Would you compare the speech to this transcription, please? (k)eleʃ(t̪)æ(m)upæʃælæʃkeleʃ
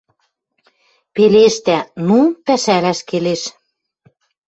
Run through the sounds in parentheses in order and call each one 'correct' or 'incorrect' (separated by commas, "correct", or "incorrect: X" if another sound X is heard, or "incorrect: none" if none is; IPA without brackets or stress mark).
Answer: incorrect: p, correct, incorrect: n